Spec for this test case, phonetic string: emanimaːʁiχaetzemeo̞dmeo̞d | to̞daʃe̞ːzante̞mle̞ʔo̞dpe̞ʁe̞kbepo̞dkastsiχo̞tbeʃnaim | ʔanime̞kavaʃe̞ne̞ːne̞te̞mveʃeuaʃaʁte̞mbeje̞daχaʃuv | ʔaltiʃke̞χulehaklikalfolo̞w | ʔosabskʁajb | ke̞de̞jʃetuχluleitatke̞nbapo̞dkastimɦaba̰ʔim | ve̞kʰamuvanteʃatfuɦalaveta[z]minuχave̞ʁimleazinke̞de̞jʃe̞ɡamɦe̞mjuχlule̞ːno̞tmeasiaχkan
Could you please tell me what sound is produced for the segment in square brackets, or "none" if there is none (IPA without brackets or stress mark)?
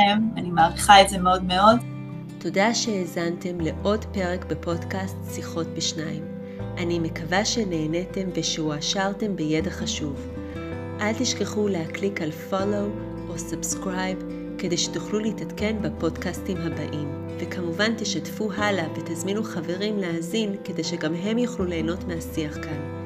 z